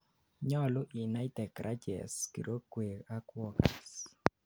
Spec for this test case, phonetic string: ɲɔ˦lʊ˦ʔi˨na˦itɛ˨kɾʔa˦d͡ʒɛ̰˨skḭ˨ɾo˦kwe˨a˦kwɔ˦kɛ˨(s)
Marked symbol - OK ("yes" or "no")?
yes